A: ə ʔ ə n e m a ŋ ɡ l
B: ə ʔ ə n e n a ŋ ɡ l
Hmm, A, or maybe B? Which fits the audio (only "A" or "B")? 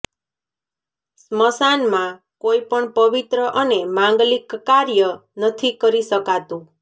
A